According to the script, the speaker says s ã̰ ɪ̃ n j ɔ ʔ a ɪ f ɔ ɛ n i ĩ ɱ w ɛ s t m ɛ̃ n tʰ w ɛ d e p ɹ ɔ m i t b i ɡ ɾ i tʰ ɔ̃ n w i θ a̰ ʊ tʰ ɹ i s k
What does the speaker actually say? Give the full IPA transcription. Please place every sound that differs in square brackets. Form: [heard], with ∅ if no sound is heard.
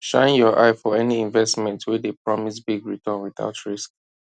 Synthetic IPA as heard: [ʃ] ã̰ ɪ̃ n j ɔ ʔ a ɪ f ɔ ɛ n i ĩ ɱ [v] ɛ s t m ɛ̃ n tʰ w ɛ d e p ɹ ɔ m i [s] b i ɡ [ɹ] i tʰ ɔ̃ n w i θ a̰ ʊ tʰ ɹ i s k

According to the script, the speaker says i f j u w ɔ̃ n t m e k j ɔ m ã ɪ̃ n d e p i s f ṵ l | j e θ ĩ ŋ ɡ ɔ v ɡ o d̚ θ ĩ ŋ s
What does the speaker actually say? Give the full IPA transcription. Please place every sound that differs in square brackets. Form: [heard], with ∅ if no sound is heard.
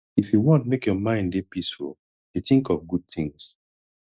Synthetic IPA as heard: i f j u w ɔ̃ n t m e k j ɔ m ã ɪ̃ n d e p i s f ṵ l | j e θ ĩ ŋ [k] ɔ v ɡ [u] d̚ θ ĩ ŋ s

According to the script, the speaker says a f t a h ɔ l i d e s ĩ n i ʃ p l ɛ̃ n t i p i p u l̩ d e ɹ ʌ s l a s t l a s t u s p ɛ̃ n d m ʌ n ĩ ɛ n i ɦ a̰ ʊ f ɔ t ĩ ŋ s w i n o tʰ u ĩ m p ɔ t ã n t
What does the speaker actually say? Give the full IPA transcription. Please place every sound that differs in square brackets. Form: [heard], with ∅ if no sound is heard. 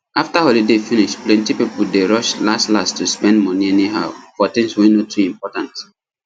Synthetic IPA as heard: a f t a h ɔ l i d e [f] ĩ n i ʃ p l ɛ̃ n t i p i p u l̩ d e ɹ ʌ [ʃ] l a s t l a s t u s p ɛ̃ n d m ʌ n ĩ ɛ n i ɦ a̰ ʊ f ɔ t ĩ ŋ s w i n o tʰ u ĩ m p ɔ t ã n t

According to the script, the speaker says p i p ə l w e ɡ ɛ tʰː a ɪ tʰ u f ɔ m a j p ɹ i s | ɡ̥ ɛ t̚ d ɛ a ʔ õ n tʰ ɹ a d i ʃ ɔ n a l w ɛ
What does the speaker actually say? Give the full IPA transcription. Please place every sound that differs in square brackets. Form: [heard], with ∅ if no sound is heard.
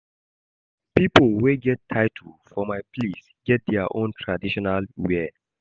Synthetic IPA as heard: p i p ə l w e ɡ ɛ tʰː a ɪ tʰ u f ɔ m a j p [l] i s | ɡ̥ ɛ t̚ d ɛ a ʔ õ n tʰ ɹ a d i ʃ ɔ n a l w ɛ

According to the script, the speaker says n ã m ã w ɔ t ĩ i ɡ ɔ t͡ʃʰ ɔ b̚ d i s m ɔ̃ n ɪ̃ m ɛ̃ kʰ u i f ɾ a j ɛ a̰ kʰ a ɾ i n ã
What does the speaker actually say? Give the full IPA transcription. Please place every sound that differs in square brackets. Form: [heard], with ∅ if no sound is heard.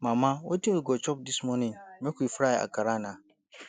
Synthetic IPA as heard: [m] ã m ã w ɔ t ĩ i ɡ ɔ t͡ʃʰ ɔ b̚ d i s m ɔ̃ n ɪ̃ m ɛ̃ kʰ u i f ɾ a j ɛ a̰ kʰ a ɾ [a] n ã

